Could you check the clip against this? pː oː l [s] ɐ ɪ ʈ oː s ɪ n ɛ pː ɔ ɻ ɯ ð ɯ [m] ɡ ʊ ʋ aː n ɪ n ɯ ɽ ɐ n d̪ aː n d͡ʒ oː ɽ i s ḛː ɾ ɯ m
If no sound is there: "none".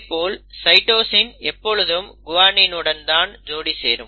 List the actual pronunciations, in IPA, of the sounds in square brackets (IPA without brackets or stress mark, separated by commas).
s, m